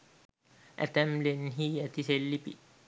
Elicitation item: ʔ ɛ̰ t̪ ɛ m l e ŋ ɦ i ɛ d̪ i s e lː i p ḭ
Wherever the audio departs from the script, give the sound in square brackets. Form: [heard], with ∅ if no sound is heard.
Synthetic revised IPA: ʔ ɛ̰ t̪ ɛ m l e [n] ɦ i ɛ [t̪] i s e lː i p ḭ